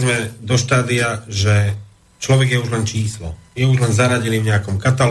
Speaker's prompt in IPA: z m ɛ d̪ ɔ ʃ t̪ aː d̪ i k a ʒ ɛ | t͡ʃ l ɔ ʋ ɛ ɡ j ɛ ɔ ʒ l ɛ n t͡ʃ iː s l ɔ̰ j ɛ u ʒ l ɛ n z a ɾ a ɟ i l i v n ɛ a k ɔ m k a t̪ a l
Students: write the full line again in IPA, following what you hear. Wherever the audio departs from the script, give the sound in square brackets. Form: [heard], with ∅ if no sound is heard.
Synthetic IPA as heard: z m ɛ d̪ ɔ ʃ t̪ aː d̪ i [∅] a ʒ ɛ | t͡ʃ l ɔ ʋ ɛ ɡ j ɛ [u] ʒ l ɛ n t͡ʃ iː s l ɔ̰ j ɛ u ʒ l ɛ n z a ɾ a ɟ i l i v [ɲ] ɛ a k ɔ m k a t̪ a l